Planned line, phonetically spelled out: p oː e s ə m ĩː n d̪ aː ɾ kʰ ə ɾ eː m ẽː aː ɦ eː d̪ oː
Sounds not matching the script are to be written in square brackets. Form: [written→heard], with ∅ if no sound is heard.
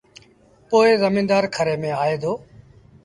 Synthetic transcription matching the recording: p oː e [s→z] ə m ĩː n d̪ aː ɾ kʰ ə ɾ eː m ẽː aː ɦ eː d̪ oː